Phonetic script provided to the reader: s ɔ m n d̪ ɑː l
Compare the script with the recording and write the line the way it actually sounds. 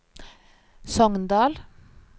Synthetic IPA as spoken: s ɔ ŋ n d̪ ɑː l